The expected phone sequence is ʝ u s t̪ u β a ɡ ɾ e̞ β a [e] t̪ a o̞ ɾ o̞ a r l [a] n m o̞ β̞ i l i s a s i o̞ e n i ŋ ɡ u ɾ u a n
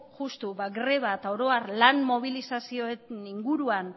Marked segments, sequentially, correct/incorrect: correct, correct

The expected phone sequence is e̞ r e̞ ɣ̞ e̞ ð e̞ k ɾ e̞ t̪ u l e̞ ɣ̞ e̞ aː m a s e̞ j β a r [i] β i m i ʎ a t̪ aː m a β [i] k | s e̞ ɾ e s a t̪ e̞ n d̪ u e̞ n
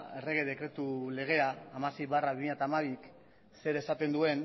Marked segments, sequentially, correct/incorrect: incorrect: a, correct

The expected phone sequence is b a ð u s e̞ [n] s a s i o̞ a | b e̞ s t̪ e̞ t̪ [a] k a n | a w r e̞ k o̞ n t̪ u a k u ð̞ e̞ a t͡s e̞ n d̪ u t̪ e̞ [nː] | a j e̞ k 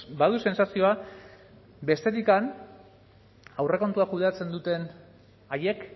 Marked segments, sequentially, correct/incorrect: correct, incorrect: i, incorrect: n

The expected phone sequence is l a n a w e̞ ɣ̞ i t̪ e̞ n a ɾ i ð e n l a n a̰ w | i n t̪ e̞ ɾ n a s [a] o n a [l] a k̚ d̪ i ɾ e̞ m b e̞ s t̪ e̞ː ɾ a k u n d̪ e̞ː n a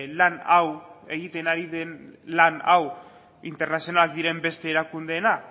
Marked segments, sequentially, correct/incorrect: incorrect: i, correct

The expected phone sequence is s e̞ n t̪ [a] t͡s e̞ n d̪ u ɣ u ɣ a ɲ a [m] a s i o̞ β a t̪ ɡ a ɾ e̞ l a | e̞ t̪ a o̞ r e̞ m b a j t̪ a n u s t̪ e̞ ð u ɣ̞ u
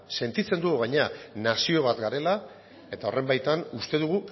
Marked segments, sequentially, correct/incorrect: incorrect: i, incorrect: n

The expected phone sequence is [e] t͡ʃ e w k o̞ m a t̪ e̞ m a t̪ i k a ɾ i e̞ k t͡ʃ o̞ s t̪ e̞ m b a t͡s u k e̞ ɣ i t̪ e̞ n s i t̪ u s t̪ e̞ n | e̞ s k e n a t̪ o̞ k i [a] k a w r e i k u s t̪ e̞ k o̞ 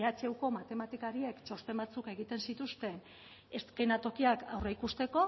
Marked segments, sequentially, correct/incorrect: incorrect: a, correct

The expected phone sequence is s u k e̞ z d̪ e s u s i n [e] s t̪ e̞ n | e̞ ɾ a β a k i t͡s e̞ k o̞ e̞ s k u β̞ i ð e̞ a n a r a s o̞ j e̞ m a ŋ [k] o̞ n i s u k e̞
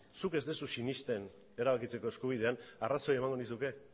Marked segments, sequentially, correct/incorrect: incorrect: i, incorrect: ɡ

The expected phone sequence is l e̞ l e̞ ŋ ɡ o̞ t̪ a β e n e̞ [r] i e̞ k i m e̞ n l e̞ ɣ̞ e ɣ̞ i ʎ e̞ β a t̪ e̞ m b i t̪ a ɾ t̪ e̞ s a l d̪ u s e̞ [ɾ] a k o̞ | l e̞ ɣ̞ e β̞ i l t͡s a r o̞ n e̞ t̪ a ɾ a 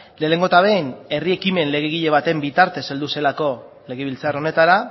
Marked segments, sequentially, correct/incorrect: correct, incorrect: l

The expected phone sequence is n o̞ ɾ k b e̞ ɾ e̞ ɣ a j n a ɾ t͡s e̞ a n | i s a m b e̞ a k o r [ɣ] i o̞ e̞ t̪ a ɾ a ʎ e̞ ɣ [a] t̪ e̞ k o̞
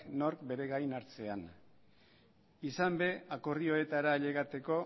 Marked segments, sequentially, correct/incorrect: incorrect: ð, correct

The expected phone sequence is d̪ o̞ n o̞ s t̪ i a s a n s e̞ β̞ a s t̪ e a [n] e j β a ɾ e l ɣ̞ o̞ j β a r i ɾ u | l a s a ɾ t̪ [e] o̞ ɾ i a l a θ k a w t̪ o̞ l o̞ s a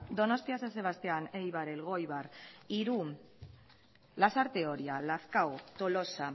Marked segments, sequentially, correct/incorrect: correct, correct

